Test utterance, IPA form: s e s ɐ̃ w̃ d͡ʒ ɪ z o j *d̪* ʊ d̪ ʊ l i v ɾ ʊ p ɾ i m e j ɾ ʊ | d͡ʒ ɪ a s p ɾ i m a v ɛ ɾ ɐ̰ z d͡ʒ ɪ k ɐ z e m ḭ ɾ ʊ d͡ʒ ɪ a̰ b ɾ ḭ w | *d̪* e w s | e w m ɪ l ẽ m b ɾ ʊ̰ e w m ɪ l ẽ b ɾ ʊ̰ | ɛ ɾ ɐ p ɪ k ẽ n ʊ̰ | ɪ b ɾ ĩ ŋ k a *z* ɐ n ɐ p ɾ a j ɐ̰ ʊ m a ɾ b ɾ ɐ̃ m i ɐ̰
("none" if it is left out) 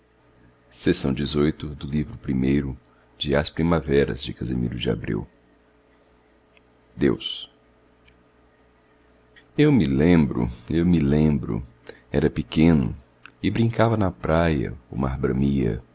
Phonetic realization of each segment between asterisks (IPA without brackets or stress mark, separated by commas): t̪, d̪, v